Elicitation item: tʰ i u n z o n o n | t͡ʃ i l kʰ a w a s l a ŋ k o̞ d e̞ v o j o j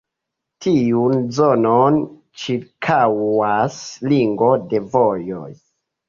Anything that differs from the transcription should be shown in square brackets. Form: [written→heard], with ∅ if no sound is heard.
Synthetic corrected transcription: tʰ i u n z o n o n | t͡ʃ i [l→ɾ] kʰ a w a s l [a→i] ŋ [k→ɡ] o̞ d e̞ v o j o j

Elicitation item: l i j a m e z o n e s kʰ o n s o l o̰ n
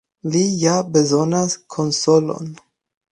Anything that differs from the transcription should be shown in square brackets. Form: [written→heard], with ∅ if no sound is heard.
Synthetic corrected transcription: l i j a [m→b] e z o n [e→a] s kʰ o n s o l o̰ n

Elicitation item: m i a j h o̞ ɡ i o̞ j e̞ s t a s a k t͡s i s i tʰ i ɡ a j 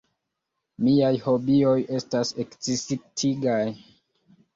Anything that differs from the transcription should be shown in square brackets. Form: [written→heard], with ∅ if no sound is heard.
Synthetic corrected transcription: m i a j h o̞ [ɡ→b] i o̞ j e̞ s t a s [a→e] k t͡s i s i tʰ i ɡ a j

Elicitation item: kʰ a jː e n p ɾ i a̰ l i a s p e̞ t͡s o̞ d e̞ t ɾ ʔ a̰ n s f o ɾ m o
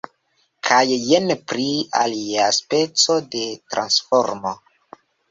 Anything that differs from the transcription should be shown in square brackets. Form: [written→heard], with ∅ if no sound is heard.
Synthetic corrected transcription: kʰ a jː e n p ɾ i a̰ l i a s p e̞ t͡s o̞ d e̞ t ɾ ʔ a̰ n s f o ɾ m o

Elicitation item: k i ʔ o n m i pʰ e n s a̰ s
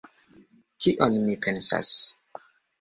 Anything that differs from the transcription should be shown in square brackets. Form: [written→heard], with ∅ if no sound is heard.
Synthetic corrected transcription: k i ʔ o n m i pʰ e n s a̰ s

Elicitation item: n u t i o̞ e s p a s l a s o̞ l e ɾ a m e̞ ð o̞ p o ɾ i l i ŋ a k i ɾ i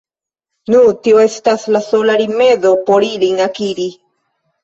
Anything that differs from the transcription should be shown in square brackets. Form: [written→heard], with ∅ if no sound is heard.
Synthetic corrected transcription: n u t i o̞ e s [p→t] a s l a s o̞ l [e→a] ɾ [a→i] m e̞ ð o̞ p o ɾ i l i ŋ a k i ɾ i

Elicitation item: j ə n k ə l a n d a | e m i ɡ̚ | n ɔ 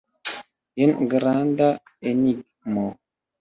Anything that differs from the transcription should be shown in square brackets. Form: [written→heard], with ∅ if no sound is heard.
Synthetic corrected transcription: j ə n [k→ɡ] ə [l→ɾ] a n d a | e [m→n] i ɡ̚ | [n→m] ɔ

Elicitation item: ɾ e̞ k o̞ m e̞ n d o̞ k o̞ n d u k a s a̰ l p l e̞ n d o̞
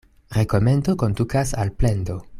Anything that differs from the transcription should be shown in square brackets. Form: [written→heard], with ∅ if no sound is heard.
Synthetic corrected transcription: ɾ e̞ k o̞ m e̞ n d o̞ k o̞ n d u k a s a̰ l p l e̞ n d o̞

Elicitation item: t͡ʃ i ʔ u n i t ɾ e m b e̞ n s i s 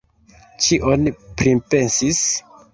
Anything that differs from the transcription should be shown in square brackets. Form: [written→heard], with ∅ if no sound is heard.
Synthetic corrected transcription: t͡ʃ i ʔ [u→o] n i [t→p] ɾ [e→i] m [b→p] e̞ n s i s

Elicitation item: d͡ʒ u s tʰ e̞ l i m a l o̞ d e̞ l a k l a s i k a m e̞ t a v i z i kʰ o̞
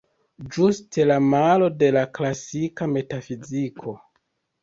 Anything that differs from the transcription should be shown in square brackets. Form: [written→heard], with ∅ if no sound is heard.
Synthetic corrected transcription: d͡ʒ u s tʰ e̞ l [i→a] m a l o̞ d e̞ l a k l a s i k a m e̞ t a [v→f] i z i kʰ o̞

